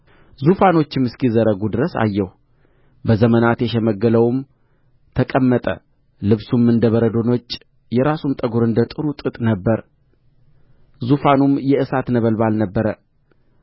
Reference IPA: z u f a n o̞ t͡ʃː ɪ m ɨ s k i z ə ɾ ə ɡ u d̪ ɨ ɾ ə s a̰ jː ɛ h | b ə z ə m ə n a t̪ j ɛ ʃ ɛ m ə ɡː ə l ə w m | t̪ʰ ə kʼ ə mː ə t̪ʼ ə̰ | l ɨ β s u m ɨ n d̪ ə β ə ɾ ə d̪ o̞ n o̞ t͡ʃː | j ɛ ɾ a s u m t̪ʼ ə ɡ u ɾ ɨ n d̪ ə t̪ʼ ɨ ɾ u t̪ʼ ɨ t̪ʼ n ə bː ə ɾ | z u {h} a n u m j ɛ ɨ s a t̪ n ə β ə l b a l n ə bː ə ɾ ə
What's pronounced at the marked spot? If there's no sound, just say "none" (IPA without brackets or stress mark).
f